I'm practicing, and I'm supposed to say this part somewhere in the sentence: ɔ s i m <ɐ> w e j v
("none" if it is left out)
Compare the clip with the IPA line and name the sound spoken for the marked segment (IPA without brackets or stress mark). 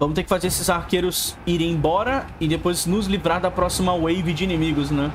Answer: ɐ